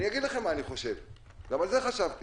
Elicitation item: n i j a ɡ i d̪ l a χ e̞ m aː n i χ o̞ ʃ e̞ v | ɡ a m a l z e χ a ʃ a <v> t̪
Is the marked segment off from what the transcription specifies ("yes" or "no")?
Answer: no